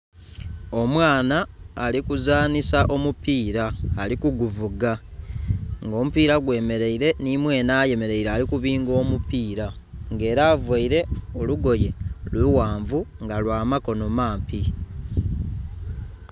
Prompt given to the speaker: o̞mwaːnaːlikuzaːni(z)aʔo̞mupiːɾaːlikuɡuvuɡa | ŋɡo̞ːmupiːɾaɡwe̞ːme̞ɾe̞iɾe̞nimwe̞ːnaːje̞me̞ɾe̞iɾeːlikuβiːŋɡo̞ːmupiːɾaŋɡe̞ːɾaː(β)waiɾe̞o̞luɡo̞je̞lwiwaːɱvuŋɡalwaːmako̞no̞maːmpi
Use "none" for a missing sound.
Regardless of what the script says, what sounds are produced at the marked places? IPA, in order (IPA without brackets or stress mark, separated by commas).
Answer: s, v